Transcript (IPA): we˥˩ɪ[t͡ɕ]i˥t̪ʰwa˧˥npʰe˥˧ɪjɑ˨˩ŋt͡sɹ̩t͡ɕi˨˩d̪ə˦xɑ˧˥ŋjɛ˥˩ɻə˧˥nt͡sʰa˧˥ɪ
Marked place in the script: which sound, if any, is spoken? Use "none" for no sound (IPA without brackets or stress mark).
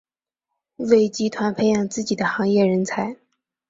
t͡ɕ